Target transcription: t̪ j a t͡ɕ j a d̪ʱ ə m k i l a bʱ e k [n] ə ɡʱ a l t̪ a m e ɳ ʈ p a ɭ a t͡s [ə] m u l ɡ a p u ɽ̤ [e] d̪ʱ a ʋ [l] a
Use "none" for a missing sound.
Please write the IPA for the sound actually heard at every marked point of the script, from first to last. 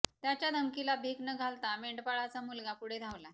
n, a, e, l

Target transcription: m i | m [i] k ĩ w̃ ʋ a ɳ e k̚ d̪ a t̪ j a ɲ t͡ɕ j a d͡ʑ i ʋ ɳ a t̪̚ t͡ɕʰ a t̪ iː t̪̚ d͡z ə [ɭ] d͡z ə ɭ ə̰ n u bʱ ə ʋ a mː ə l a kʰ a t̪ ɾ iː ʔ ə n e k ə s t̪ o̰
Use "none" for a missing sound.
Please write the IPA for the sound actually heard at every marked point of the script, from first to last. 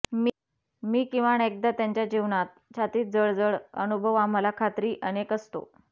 iː, ɭ

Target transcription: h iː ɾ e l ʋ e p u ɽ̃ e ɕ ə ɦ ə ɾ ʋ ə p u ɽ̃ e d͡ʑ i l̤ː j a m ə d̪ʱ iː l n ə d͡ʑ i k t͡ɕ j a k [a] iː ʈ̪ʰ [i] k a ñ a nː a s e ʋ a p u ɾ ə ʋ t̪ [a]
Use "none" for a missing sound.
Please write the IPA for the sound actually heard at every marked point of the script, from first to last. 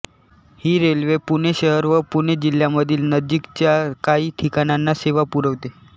a, i, e

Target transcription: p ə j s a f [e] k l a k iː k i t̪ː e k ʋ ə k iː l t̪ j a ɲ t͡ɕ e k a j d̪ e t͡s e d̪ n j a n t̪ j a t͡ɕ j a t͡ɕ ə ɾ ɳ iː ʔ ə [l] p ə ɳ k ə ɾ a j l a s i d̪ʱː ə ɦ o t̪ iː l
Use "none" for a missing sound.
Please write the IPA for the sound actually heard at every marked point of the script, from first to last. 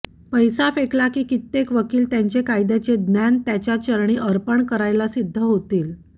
e, ɾ

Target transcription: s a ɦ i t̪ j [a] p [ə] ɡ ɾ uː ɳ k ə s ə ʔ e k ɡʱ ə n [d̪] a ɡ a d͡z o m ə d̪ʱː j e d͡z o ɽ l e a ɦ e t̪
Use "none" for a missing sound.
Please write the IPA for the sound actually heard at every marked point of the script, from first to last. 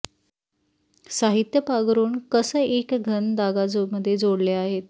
ə, a, d̪

